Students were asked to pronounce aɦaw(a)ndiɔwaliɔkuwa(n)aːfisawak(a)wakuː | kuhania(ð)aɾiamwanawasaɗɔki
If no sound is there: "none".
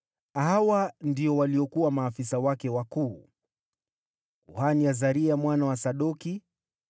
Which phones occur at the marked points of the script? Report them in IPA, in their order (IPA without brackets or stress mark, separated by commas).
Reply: a, m, ɛ, z